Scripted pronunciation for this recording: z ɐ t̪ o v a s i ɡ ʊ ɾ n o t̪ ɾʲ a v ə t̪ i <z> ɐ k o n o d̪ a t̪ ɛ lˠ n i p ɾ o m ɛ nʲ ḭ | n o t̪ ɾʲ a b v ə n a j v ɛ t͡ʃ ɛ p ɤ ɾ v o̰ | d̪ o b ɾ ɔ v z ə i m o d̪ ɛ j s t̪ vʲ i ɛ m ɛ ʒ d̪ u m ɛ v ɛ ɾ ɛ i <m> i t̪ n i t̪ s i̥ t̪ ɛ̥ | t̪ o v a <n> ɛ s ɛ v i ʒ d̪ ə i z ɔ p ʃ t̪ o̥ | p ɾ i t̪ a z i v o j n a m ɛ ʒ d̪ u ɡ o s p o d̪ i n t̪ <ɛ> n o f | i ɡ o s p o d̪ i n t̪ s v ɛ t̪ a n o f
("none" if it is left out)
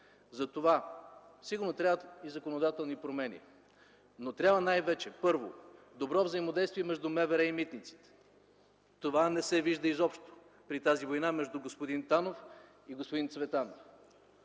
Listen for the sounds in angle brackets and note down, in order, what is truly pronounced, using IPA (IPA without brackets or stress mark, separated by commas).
z, m, n, a